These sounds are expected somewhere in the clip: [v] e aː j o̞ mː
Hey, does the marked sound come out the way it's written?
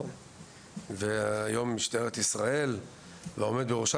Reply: yes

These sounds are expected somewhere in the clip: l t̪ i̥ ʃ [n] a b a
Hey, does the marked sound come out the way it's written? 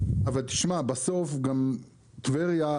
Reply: no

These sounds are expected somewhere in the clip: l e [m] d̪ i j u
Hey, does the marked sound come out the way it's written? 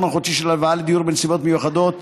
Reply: no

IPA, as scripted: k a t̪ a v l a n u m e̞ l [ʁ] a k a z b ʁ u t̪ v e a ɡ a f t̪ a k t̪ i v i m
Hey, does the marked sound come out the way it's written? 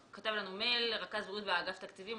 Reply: yes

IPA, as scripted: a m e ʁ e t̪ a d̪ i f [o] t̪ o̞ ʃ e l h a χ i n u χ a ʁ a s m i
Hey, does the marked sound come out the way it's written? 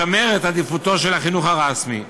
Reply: no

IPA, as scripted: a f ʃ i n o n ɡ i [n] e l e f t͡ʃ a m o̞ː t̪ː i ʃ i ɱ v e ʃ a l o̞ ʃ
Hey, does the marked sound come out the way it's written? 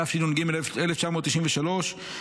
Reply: no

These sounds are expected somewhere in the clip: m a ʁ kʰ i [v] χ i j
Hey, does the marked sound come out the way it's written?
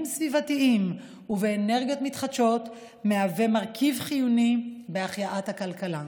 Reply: yes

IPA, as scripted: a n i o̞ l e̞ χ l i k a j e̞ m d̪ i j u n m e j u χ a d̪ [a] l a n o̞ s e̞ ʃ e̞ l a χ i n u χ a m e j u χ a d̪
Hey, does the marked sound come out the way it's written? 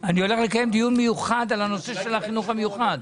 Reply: yes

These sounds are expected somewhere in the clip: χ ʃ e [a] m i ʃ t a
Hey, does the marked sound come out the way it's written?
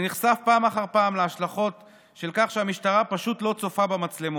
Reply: yes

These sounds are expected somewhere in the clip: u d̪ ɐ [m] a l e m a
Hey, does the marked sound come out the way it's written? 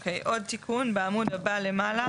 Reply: no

